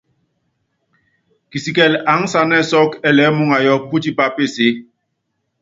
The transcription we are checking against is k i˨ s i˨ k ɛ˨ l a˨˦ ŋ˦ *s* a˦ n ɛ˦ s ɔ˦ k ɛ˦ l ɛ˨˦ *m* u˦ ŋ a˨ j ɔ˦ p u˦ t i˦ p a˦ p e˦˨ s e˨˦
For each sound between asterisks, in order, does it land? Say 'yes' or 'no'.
yes, yes

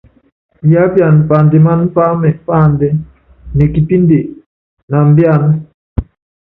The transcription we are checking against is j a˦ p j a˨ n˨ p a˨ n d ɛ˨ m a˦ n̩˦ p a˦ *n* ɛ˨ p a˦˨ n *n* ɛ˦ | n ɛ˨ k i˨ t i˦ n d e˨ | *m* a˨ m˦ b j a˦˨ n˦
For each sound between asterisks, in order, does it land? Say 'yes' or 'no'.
no, no, no

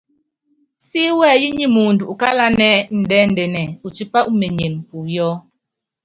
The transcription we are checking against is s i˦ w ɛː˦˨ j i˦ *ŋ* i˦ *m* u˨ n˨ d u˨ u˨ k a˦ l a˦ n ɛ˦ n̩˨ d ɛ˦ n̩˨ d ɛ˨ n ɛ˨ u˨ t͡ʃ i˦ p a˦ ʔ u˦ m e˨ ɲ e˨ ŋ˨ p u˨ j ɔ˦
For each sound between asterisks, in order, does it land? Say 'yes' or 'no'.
no, yes

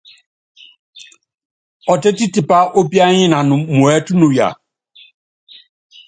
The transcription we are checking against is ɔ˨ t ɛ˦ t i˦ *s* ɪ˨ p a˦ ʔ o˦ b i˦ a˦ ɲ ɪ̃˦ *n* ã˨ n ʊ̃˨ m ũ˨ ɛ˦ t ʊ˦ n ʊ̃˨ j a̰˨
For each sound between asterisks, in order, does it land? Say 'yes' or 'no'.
no, yes

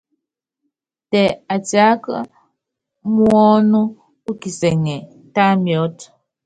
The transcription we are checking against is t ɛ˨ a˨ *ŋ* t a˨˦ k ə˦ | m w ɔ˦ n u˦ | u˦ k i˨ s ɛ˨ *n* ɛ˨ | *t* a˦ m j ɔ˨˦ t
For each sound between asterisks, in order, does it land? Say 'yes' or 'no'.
no, no, yes

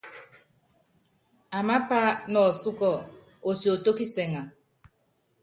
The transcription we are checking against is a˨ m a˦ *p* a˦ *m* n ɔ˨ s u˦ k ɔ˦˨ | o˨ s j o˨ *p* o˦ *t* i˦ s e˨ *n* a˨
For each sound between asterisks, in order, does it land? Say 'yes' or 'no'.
yes, no, no, no, no

